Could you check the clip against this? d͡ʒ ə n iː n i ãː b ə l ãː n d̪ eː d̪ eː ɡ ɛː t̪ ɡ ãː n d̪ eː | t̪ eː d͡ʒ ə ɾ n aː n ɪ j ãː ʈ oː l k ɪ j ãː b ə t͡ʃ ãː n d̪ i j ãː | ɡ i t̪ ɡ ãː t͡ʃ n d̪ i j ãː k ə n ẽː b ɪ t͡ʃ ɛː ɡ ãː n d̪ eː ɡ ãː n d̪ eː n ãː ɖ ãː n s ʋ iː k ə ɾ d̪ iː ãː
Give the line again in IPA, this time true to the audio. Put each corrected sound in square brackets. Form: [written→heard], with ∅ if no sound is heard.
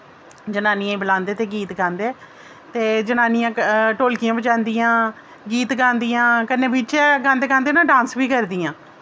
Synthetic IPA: d͡ʒ ə n [iː→aː] n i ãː b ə l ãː n d̪ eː [d̪→t̪] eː ɡ [ɛː→iː] t̪ ɡ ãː n d̪ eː | t̪ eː d͡ʒ ə [ɾ→∅] n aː n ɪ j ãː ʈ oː l k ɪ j ãː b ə t͡ʃ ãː n d̪ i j ãː | ɡ [i→iː] t̪ ɡ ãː [t͡ʃ→∅] n d̪ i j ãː k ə n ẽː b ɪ t͡ʃ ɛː ɡ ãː n d̪ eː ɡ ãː n d̪ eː n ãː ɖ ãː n s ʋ iː k ə ɾ d̪ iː ãː